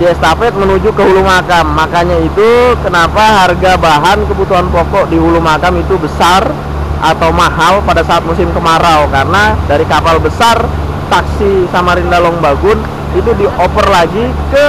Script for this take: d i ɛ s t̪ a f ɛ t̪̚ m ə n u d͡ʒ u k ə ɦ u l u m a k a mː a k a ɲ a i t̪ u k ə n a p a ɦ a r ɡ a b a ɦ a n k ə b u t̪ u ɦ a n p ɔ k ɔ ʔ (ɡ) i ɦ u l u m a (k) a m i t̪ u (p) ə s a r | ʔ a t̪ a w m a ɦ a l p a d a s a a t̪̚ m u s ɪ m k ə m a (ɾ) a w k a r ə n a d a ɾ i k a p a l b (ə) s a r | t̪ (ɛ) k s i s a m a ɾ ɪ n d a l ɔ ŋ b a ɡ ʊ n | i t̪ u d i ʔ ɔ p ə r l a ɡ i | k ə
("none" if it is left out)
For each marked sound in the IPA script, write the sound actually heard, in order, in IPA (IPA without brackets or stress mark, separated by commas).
d, k, b, ɾ, ə, a